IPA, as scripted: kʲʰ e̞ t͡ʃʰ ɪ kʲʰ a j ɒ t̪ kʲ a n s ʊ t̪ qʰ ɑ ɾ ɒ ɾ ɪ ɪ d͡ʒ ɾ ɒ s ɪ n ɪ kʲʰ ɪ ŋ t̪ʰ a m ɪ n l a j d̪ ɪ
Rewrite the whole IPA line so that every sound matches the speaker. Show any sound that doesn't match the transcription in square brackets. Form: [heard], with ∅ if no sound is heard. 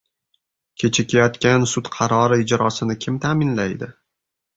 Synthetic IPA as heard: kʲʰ e̞ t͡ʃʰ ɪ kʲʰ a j ɒ t̪ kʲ a n s ʊ t̪ qʰ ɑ ɾ ɒ ɾ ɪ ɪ d͡ʒ ɾ ɒ s ɪ n ɪ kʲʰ ɪ [m] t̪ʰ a m ɪ n l a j d̪ ɪ